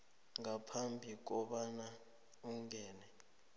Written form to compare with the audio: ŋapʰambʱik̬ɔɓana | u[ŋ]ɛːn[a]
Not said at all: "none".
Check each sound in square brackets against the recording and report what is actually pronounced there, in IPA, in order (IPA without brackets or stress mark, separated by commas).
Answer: ŋ, ɛ